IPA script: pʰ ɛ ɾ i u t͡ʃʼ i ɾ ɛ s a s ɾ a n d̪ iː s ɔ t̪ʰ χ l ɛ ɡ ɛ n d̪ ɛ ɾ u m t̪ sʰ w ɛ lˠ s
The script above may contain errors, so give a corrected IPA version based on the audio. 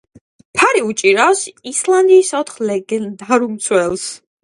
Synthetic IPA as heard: pʰ a ɾ i u t͡ʃʼ i ɾ a s i s l a n d̪ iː s ɔ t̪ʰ χ l ɛ ɡ ɛ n d̪ a ɾ u m t̪ sʰ w ɛ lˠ s